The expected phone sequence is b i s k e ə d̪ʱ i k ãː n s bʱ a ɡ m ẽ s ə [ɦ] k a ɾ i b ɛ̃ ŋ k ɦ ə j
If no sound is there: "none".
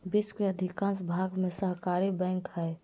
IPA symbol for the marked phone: ɦ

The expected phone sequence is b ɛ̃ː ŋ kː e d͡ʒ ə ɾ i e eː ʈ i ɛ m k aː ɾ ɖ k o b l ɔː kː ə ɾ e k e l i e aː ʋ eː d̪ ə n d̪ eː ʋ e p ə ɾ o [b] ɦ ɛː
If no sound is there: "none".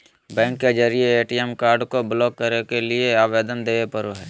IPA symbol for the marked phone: none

